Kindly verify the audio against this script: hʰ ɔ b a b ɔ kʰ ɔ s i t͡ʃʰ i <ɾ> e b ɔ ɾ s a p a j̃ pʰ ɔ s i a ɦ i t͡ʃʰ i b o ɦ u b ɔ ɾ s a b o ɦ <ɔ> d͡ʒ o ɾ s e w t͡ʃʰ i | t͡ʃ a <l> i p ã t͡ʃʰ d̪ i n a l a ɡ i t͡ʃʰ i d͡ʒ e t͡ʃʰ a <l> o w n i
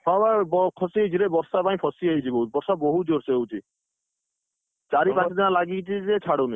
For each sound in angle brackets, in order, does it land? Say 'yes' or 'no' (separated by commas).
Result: yes, no, no, no